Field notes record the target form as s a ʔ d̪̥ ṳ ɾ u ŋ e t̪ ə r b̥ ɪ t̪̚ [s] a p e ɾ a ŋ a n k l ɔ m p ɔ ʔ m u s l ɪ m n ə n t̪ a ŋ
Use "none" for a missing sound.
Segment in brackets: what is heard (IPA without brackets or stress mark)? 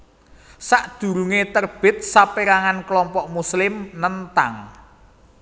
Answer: s